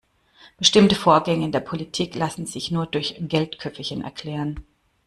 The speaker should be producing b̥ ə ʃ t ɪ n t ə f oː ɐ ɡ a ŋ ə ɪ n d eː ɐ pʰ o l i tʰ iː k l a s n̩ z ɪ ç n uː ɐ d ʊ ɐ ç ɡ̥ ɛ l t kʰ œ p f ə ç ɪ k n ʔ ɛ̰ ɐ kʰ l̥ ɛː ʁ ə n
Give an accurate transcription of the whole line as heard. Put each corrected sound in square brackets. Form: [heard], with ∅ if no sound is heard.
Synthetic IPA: b̥ ə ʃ t ɪ [m] t ə f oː ɐ ɡ [ɛ] ŋ ə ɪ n d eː ɐ pʰ o l i tʰ iː k l a s n̩ z ɪ ç n uː ɐ d ʊ ɐ ç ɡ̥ ɛ l t kʰ œ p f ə ç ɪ [∅] n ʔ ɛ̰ ɐ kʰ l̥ ɛː ʁ ə n